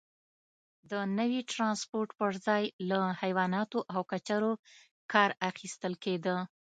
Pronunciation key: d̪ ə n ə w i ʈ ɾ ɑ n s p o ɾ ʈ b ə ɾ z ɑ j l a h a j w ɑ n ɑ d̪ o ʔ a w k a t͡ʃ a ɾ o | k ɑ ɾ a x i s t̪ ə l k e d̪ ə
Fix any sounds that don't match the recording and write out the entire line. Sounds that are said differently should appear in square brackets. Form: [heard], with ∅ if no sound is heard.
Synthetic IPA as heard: d̪ ə n ə w i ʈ ɾ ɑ n s p o ɾ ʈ [p] ə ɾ z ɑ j l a h a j w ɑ n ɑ [t̪] o ʔ a w k a t͡ʃ a ɾ o | k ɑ ɾ a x i s t̪ ə l k e d̪ ə